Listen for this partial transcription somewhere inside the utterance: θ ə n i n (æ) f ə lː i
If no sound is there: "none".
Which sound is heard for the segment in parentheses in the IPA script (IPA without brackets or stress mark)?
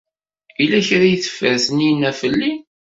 æ